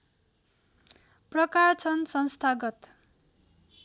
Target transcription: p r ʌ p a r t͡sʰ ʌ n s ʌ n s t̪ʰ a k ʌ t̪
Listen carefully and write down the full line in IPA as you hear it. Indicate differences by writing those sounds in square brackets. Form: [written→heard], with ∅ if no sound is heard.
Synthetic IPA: p r ʌ [p→k] a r t͡sʰ ʌ n s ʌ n s t̪ʰ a [k→ɡ] ʌ t̪